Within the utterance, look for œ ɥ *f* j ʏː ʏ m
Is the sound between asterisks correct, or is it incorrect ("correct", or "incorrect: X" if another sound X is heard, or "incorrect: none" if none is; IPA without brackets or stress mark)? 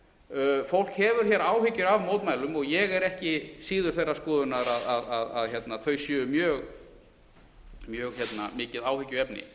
incorrect: s